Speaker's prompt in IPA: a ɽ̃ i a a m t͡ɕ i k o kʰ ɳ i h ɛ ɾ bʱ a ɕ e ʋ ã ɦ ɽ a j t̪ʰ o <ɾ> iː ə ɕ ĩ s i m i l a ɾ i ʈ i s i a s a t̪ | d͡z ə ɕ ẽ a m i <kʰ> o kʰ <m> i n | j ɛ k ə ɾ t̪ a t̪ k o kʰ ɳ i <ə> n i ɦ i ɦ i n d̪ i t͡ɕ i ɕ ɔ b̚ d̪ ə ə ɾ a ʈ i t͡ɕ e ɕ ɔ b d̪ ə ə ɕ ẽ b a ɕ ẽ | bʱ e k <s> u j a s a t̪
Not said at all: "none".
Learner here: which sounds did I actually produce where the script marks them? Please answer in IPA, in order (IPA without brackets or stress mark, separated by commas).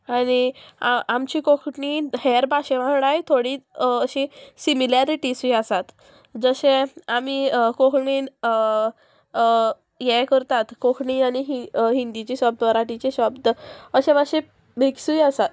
ɽ, k, ɳ, a, s